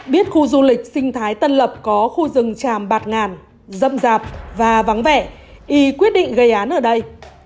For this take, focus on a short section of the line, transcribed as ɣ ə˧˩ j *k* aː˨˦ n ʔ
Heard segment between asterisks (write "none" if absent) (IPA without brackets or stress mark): ʔ